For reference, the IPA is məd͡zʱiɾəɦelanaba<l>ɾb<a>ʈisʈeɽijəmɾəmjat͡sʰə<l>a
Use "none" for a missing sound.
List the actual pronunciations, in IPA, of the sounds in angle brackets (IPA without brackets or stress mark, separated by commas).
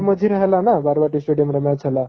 none, a, l